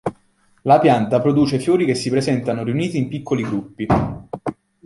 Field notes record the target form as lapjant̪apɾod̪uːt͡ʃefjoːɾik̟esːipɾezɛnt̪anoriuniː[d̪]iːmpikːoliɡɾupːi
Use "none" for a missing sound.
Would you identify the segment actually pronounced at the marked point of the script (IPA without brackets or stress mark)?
t̪